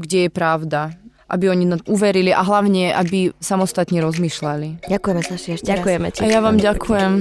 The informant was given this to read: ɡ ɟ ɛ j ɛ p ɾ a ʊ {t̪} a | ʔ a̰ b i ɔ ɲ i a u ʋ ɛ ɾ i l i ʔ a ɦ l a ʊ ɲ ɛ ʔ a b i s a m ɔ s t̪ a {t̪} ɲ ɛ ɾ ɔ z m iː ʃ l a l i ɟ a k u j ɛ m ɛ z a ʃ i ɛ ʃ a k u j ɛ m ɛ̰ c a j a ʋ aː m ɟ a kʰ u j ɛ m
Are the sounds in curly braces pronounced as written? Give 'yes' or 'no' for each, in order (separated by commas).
no, yes